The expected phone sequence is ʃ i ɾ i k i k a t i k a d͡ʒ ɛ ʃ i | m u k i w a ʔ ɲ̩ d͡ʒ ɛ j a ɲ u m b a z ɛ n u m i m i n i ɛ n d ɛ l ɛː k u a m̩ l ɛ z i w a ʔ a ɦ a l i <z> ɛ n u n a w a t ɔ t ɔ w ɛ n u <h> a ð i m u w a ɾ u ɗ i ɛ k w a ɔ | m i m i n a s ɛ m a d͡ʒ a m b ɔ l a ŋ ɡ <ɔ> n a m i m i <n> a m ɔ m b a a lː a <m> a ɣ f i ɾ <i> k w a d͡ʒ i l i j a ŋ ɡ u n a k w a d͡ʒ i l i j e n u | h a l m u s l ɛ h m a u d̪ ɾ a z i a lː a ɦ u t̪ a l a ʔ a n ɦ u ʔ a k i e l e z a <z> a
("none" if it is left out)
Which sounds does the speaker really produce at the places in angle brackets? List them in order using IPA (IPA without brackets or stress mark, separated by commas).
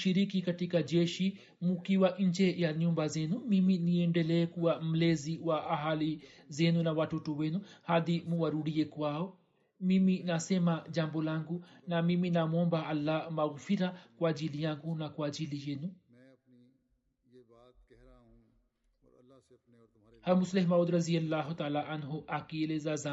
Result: z, h, u, n, m, a, z